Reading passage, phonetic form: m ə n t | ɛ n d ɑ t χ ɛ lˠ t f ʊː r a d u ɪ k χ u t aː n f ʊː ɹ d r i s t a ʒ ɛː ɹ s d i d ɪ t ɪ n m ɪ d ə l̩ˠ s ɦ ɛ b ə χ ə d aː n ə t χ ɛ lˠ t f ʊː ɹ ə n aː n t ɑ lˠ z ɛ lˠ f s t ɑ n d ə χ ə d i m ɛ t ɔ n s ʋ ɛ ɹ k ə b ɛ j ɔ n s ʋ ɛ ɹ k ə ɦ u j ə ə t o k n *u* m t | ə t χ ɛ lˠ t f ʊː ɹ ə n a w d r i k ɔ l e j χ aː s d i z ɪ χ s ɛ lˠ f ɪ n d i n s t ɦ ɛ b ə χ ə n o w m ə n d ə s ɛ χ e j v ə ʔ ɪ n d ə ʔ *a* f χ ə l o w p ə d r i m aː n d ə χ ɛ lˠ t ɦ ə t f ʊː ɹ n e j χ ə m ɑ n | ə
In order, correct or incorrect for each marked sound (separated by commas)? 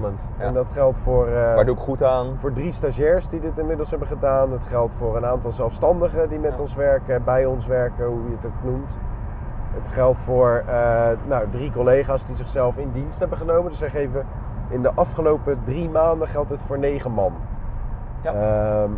correct, incorrect